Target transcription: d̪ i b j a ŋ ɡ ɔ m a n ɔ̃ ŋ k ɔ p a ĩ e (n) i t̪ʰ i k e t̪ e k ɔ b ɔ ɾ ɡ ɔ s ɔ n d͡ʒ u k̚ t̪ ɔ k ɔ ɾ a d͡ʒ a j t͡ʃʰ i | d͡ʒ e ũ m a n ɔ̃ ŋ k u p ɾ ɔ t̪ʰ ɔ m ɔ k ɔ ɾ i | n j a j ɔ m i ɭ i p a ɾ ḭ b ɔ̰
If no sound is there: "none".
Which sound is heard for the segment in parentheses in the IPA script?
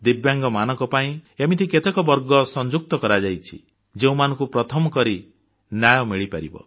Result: m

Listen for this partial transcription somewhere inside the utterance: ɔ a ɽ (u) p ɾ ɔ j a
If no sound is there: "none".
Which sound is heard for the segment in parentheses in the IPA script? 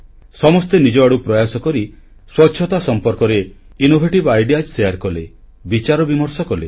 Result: u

